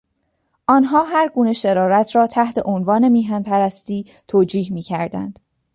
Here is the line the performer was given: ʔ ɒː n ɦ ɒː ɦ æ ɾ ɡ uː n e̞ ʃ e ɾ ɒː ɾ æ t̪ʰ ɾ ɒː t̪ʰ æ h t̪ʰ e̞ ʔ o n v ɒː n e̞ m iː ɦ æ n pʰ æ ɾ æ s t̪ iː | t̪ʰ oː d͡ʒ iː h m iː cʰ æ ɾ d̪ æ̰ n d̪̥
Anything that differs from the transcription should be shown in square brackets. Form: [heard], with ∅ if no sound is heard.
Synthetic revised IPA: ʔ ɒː n ɦ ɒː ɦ æ ɾ ɡ uː n e̞ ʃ e ɾ ɒː ɾ æ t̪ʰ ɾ ɒː t̪ʰ æ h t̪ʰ e̞ ʔ o n v ɒː n e̞ m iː ɦ æ n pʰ æ ɾ æ s t̪ iː | t̪ʰ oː d͡ʒ iː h m iː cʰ æ ɾ d̪ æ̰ n d̪̥